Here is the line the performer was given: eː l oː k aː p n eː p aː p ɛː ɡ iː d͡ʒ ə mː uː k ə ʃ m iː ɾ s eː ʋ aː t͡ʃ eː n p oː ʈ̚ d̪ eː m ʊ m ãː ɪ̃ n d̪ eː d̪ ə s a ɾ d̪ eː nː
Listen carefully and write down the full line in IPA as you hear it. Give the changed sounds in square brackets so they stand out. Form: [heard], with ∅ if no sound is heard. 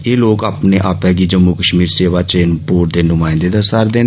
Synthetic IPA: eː l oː k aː p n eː [ʔ] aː p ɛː ɡ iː d͡ʒ ə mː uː k ə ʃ m iː ɾ s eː ʋ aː t͡ʃ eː n p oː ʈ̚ d̪ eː [n] ʊ m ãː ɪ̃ n d̪ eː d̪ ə s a ɾ d̪ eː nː